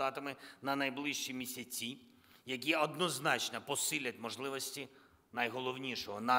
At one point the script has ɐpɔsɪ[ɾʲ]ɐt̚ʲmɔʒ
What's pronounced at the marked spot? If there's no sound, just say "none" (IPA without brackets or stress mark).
lʲ